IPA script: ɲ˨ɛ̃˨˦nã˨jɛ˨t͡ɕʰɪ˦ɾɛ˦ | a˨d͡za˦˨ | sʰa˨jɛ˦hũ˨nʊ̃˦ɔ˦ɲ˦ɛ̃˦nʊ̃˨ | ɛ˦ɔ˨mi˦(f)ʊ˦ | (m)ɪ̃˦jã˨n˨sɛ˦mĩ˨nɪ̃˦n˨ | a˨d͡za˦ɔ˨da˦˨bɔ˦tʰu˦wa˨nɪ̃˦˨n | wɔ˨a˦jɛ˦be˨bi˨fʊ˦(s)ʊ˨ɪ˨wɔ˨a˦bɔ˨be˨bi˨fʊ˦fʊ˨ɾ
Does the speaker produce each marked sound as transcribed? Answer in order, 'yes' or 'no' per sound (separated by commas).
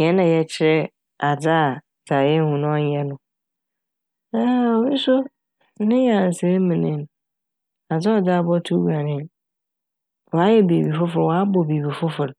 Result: no, no, no